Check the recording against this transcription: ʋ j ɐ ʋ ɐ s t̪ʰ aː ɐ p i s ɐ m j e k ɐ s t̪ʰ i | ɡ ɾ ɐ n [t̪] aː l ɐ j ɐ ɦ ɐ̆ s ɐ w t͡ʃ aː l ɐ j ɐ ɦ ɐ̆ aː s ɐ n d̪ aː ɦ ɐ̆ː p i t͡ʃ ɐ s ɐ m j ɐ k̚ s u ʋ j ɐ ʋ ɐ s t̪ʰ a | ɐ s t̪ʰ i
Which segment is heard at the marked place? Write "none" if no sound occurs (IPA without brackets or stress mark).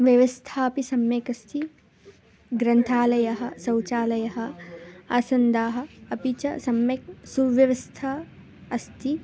t̪ʰ